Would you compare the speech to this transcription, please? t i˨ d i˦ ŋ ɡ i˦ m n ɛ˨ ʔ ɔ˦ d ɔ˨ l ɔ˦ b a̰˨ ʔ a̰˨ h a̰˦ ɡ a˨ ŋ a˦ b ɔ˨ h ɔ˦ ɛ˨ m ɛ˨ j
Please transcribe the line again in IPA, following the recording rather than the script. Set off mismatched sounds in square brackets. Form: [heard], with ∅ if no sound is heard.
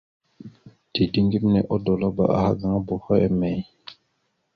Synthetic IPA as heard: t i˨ d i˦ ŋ ɡ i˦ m n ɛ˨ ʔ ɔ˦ d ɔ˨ l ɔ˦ b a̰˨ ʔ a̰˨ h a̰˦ ɡ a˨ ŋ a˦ b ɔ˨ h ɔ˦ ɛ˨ m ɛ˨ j